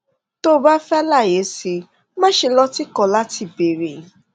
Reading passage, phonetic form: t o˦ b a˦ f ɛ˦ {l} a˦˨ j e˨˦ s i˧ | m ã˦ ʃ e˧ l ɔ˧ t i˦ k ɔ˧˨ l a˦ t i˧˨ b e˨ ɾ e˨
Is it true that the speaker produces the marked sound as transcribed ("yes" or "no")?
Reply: yes